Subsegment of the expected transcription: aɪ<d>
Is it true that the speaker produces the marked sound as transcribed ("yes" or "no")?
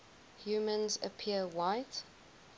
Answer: no